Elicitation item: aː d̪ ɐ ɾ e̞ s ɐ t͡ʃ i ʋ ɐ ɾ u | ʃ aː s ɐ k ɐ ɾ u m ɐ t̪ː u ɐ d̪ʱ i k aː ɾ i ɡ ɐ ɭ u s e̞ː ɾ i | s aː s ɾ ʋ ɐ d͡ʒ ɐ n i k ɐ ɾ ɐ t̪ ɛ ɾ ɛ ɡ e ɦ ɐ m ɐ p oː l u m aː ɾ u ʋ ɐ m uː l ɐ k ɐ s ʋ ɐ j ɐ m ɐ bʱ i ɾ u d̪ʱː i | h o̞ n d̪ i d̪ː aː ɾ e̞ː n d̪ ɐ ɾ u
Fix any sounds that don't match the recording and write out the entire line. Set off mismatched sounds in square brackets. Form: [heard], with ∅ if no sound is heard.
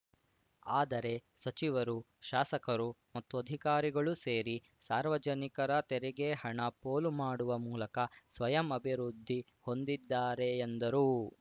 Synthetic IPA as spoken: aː d̪ ɐ ɾ e̞ s ɐ t͡ʃ i ʋ ɐ ɾ u | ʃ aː s ɐ k ɐ ɾ u m ɐ t̪ː u ɐ d̪ʱ i k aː ɾ i ɡ ɐ ɭ u s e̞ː ɾ i | s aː [∅] ɾ ʋ ɐ d͡ʒ ɐ n i k ɐ ɾ ɐ t̪ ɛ ɾ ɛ ɡ e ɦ ɐ [ɳ] ɐ p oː l u m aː [ɽ] u ʋ ɐ m uː l ɐ k ɐ s ʋ ɐ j ɐ m ɐ bʱ i ɾ u d̪ʱː i | h o̞ n d̪ i d̪ː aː ɾ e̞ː n d̪ ɐ ɾ u